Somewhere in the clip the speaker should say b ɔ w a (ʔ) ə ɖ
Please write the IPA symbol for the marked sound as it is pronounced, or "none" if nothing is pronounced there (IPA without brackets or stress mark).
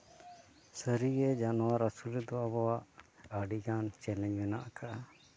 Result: ʔ